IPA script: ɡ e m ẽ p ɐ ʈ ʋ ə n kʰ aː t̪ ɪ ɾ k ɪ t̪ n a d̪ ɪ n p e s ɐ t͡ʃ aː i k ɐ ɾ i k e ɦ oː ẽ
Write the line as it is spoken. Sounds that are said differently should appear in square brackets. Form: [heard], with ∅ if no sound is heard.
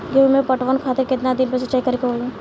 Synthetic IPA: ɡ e m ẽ p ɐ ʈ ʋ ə n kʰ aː t̪ ɪ ɾ k ɪ t̪ n a d̪ ɪ n p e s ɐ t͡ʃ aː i k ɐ ɾ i k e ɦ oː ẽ